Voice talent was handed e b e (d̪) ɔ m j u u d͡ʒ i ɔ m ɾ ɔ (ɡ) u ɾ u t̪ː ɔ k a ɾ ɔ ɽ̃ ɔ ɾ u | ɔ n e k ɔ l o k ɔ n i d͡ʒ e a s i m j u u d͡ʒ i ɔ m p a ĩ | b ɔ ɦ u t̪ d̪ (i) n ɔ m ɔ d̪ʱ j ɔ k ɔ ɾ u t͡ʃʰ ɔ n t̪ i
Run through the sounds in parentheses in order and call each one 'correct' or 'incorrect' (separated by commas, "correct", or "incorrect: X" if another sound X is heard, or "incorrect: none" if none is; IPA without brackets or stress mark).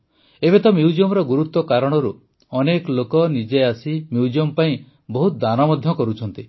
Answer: incorrect: t̪, correct, incorrect: a